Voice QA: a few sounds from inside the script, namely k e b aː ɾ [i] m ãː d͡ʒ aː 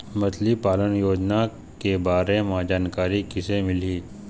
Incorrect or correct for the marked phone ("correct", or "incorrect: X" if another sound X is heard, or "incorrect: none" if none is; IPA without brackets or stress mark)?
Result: incorrect: e